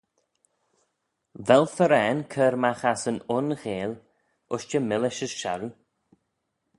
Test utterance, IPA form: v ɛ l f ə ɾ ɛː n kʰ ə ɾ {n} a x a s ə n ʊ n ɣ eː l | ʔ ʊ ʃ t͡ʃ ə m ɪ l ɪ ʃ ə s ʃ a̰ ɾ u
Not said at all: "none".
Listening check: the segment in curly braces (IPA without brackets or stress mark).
m